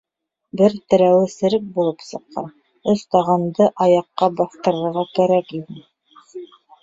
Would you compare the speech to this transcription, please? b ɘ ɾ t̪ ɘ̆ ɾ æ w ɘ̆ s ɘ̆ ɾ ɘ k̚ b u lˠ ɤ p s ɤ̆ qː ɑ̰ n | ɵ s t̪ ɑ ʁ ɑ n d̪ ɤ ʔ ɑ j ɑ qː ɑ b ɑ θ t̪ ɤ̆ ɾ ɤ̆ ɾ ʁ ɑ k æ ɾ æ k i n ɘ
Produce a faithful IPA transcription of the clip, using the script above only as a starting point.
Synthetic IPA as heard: b ɘ ɾ t̪ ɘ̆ ɾ æ w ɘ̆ s ɘ̆ ɾ ɘ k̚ b u lˠ ɤ p s ɤ̆ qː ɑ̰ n | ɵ s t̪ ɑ ʁ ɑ n d̪ ɤ ʔ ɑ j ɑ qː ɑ b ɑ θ t̪ ɤ̆ ɾ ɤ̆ ɾ ʁ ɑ k æ ɾ æ k i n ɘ